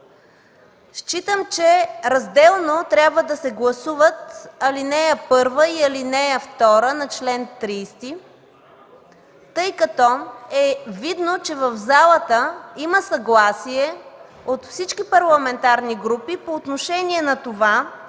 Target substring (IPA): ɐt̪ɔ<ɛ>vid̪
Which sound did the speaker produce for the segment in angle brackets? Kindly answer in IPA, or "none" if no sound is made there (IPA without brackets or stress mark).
ɛ